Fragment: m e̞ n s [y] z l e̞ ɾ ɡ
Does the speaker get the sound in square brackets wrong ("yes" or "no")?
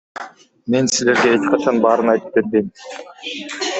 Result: yes